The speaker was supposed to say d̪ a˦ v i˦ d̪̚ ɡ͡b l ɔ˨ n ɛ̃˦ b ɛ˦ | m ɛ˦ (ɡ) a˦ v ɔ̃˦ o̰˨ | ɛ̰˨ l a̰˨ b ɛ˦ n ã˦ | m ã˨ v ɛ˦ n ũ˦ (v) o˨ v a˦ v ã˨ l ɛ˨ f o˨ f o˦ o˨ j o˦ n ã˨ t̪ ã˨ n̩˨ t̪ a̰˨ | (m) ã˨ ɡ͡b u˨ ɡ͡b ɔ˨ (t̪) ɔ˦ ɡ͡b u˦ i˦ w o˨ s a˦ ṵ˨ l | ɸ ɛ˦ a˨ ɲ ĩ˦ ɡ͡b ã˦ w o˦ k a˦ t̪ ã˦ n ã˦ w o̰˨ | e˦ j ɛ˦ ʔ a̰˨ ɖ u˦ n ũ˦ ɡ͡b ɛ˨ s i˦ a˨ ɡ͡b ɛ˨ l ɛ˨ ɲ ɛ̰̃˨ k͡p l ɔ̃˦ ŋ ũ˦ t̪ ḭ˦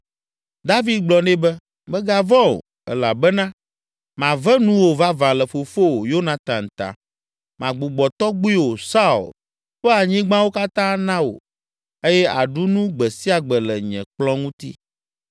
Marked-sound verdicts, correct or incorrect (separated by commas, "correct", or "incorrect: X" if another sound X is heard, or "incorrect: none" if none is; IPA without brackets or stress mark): correct, incorrect: w, correct, correct